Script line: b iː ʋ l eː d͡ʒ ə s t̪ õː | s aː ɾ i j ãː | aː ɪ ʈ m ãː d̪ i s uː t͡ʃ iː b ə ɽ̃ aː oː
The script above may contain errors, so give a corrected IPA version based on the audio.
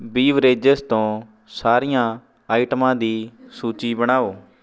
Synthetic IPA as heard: b iː ʋ ɾ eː d͡ʒ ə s t̪ õː | s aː ɾ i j ãː | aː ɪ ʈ m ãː d̪ iː s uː t͡ʃ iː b ə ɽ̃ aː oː